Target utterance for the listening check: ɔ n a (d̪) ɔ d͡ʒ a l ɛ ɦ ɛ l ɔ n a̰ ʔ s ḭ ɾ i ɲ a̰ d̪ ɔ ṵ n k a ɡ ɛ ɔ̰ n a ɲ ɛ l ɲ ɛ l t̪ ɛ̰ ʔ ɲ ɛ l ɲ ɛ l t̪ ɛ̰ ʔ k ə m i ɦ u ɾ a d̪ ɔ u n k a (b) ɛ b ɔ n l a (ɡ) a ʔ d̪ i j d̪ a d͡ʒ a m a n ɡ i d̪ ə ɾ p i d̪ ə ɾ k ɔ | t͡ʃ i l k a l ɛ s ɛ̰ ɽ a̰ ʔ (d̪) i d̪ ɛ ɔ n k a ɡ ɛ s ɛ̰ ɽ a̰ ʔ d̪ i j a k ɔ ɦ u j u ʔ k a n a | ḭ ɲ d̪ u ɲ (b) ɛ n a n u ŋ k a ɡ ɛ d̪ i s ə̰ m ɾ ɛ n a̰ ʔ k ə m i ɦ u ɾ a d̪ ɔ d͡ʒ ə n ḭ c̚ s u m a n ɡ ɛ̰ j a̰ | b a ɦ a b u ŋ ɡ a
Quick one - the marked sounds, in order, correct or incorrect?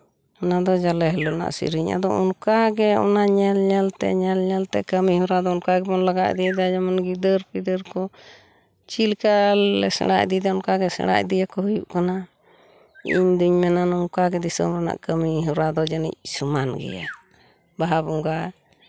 correct, incorrect, correct, correct, incorrect

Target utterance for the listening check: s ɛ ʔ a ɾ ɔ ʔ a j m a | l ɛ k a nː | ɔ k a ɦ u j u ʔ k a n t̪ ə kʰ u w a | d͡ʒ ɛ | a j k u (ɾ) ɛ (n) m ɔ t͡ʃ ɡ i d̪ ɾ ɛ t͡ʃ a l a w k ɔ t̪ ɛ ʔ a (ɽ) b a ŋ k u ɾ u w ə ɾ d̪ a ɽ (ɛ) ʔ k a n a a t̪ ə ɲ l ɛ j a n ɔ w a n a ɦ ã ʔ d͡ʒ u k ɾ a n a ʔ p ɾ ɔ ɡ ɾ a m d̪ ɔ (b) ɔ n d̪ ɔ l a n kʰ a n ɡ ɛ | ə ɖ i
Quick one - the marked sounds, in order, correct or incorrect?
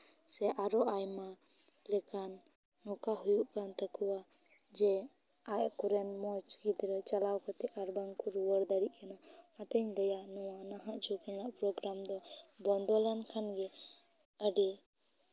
correct, correct, incorrect, incorrect, correct

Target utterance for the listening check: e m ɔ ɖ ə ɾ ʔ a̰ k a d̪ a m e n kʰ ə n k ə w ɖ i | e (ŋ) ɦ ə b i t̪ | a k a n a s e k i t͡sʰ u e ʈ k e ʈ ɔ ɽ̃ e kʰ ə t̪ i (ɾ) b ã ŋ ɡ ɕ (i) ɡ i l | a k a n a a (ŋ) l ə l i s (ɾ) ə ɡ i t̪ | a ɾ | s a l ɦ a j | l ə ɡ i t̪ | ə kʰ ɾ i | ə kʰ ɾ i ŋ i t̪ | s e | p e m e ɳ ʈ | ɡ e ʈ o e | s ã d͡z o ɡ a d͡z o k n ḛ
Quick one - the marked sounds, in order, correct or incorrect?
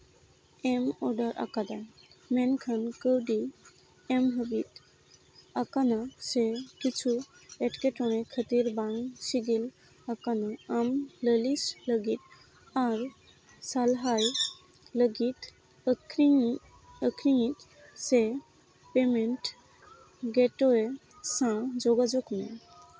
incorrect, correct, correct, incorrect, incorrect

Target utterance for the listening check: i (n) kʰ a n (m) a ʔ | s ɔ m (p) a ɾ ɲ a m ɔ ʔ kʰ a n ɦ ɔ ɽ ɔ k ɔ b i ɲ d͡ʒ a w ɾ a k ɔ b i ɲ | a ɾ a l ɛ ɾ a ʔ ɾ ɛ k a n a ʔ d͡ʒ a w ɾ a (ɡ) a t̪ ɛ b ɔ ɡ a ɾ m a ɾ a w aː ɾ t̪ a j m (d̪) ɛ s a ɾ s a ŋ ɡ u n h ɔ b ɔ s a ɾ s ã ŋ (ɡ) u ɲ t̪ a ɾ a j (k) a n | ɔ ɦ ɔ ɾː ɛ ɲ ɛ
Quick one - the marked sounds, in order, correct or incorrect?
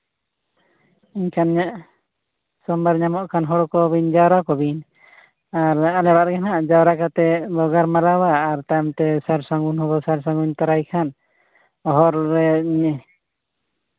incorrect, incorrect, incorrect, incorrect, incorrect, correct, incorrect

